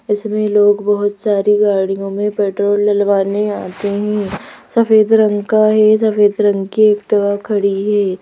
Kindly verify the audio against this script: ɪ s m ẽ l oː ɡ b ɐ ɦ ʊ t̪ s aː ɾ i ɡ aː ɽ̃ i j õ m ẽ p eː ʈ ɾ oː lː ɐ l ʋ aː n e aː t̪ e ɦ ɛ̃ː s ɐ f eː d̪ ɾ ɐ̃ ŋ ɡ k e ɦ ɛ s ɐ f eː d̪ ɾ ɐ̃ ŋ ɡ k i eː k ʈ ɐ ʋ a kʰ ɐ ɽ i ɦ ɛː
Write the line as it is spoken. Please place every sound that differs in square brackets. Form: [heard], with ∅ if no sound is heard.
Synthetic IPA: ɪ s m ẽ l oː ɡ b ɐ ɦ ʊ t̪ s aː ɾ i ɡ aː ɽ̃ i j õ m ẽ p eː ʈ ɾ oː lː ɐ l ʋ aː n e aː t̪ e ɦ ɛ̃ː s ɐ f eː d̪ ɾ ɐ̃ ŋ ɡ k [a] ɦ ɛ s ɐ f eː d̪ ɾ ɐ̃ ŋ ɡ k i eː k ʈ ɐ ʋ a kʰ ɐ ɽ i ɦ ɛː